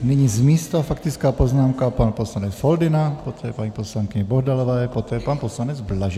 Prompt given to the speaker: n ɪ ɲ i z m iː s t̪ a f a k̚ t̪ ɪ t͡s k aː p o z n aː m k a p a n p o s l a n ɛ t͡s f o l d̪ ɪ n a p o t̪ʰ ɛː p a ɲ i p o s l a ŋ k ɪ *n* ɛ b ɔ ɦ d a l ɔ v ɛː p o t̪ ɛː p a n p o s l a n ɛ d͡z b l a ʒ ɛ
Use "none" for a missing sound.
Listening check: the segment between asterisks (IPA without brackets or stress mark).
ɲ